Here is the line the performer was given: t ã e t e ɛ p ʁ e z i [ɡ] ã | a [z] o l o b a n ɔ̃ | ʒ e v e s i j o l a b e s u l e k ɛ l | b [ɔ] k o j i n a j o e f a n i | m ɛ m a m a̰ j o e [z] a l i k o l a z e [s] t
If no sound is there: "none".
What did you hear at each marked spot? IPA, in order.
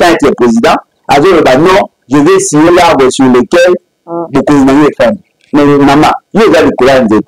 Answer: d, z, o, z, none

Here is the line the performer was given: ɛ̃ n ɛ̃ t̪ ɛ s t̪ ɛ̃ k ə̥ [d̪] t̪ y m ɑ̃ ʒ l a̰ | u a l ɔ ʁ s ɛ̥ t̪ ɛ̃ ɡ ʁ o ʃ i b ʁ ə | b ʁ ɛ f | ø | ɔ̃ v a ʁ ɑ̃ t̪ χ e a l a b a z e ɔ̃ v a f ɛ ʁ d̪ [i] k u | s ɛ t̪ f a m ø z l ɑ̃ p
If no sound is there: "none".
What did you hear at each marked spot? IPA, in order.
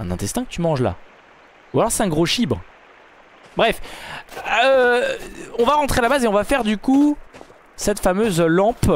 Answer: none, y

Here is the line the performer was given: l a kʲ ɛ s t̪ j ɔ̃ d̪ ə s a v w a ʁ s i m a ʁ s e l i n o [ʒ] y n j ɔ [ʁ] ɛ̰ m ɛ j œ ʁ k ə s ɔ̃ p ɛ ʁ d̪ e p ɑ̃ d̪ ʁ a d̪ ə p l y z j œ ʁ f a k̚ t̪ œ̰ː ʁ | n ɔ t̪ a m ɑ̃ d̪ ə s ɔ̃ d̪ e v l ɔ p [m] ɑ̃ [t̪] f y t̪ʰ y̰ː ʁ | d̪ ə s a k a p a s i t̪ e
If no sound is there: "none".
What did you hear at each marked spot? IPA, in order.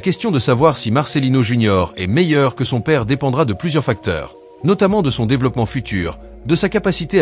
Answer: ʒ, ʁ, m, none

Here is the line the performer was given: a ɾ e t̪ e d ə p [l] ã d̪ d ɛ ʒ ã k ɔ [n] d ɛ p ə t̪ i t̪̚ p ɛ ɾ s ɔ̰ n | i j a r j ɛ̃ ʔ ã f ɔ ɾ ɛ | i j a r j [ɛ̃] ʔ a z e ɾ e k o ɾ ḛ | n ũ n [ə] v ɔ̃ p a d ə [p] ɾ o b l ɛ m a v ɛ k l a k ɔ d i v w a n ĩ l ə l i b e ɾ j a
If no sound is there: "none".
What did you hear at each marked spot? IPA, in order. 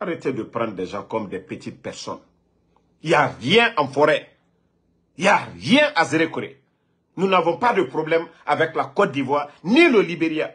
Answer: ɾ, m, ɛ̃, a, p

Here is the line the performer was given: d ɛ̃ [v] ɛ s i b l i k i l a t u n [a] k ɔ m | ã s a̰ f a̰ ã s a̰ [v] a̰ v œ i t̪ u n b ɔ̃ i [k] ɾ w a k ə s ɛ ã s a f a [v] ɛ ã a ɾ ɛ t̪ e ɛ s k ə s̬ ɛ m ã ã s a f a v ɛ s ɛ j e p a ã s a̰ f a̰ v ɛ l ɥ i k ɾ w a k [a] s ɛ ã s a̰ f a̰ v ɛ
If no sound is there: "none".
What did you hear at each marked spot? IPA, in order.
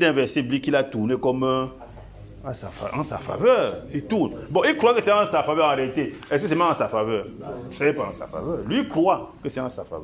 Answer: v, e, f, k, v, ə

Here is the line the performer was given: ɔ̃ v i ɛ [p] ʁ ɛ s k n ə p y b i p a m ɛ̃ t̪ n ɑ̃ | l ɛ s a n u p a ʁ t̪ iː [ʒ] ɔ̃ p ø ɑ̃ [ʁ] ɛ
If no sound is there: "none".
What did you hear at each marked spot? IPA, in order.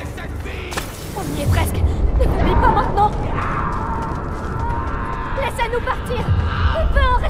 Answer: p, ʁ, ʁ

